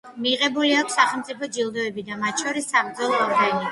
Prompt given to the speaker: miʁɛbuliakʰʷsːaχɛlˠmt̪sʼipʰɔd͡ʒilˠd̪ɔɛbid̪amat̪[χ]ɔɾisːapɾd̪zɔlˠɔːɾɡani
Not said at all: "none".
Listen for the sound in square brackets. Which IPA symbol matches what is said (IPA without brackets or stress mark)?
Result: ʃ